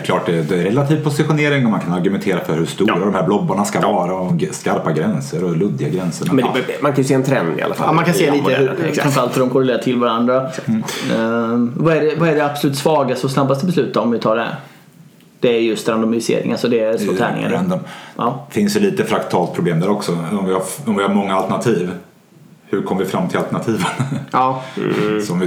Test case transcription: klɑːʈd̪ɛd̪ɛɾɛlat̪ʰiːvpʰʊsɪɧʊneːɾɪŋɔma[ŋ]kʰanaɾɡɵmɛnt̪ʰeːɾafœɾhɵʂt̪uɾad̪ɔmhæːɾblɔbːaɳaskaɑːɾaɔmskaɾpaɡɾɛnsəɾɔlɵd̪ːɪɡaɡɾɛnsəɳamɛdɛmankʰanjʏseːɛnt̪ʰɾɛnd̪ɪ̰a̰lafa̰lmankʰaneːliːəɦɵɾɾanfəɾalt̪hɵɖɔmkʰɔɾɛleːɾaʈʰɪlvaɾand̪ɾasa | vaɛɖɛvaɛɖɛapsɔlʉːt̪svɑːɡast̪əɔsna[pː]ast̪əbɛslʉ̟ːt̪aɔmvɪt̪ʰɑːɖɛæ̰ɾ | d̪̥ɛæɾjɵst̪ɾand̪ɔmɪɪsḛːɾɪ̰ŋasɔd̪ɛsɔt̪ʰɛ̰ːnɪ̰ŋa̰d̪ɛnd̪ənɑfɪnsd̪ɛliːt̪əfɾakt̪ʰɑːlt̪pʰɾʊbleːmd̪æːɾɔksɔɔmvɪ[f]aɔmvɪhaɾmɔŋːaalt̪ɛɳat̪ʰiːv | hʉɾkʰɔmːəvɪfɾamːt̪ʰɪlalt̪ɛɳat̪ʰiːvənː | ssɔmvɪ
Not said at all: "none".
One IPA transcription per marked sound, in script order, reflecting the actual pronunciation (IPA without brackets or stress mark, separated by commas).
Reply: n, bː, h